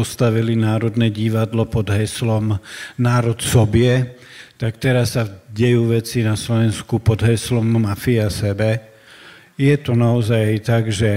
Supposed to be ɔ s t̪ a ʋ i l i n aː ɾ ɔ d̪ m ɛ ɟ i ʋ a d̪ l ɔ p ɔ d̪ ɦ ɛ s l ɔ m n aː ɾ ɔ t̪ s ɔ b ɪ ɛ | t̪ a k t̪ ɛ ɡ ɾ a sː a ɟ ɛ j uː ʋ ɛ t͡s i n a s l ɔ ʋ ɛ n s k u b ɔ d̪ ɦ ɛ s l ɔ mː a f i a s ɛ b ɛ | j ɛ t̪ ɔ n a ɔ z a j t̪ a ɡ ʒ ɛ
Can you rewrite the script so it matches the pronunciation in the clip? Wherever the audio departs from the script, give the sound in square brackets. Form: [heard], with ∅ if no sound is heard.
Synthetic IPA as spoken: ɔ s t̪ a ʋ i l i n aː ɾ ɔ d̪ [n] ɛ ɟ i ʋ a d̪ l ɔ p ɔ d̪ ɦ ɛ s l ɔ m n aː ɾ ɔ t̪ s ɔ b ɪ ɛ | t̪ a k t̪ ɛ [∅] ɾ a sː a ɟ ɛ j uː ʋ ɛ t͡s i n a s l ɔ ʋ ɛ n s k u [p] ɔ d̪ ɦ ɛ s l ɔ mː a f i a s ɛ b ɛ | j ɛ t̪ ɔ n a ɔ z a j t̪ a ɡ ʒ ɛ